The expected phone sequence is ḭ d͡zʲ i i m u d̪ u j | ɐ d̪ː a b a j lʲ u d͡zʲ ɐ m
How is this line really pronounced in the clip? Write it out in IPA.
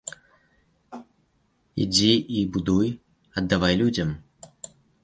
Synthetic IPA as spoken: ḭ d͡zʲ i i b u d̪ u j | ɐ d̪ː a v a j lʲ u d͡zʲ ɐ m